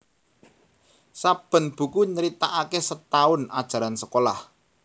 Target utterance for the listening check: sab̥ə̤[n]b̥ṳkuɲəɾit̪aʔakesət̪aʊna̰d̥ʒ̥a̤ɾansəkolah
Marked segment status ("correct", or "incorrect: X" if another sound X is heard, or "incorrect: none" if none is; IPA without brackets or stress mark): correct